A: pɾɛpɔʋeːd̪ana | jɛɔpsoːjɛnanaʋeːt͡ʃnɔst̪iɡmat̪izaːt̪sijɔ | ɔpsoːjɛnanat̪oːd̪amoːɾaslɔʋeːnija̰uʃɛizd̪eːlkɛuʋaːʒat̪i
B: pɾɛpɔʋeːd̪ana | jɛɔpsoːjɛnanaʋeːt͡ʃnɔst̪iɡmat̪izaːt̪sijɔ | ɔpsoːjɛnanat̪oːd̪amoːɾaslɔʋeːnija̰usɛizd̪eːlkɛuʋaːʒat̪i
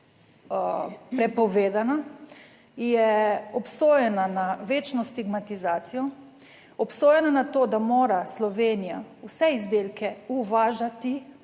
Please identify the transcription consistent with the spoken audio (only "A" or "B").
B